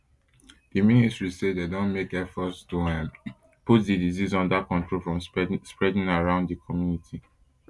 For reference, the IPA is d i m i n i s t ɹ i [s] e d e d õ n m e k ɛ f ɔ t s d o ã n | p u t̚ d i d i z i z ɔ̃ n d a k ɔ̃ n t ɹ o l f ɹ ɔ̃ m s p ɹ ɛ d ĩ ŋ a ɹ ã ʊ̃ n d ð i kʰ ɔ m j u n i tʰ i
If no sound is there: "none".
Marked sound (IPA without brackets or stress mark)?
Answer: s